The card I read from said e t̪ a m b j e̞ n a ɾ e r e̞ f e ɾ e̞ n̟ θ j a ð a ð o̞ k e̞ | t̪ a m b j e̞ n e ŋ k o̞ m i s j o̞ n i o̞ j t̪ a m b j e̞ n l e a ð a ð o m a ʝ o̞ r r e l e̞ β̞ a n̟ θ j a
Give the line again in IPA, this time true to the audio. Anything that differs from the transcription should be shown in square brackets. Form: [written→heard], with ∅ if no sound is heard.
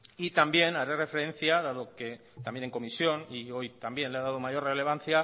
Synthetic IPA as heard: [e→i] t̪ a m b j e̞ n a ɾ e r e̞ f e ɾ e̞ n̟ θ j a ð a ð o̞ k e̞ | t̪ a m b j e̞ n e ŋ k o̞ m i s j o̞ n i o̞ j t̪ a m b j e̞ n l e a ð a ð o m a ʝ o̞ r r e l e̞ β̞ a n̟ θ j a